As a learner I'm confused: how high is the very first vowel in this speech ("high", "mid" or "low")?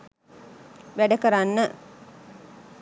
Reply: low